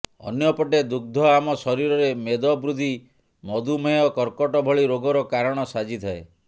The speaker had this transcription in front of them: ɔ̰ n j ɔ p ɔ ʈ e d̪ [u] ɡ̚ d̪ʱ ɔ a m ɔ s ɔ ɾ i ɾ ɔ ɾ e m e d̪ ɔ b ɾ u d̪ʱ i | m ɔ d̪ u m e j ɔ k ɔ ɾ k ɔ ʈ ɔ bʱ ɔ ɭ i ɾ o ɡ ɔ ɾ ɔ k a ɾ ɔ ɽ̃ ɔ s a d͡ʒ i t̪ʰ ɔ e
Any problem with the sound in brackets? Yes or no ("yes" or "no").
no